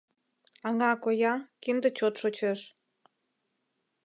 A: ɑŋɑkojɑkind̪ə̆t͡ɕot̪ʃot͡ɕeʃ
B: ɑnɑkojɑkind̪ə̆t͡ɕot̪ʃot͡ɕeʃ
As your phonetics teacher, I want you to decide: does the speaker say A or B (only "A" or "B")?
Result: A